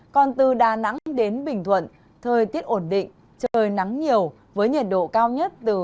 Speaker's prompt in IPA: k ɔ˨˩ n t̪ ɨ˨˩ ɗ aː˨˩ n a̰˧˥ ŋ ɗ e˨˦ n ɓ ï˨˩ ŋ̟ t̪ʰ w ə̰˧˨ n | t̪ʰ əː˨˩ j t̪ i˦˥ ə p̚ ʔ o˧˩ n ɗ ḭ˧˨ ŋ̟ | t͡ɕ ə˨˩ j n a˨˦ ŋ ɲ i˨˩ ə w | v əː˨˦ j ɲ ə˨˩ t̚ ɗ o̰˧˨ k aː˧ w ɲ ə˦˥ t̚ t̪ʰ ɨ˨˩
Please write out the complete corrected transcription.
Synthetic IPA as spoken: k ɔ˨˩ n t̪ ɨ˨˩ ɗ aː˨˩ n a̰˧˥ ŋ ɗ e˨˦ n ɓ ï˨˩ ŋ̟ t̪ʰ w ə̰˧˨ n | t̪ʰ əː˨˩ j t̪ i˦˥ ə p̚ ʔ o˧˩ n ɗ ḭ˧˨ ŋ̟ | t͡ɕ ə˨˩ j n a˨˦ ŋ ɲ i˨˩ ə w | v əː˨˦ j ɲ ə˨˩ t̚ ɗ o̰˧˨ k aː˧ w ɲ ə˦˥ t̚ t̪ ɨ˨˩

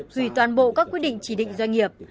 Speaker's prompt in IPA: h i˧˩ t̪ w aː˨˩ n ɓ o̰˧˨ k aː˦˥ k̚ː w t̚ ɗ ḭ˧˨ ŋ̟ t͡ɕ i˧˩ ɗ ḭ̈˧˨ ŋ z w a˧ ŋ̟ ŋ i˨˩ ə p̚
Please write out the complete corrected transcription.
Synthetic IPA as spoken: h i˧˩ t̪ w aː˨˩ n ɓ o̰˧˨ k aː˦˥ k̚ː w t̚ ɗ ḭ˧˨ ŋ̟ t͡ɕ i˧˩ ɗ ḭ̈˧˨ ŋ z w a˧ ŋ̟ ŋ i˨˩ ə p̚

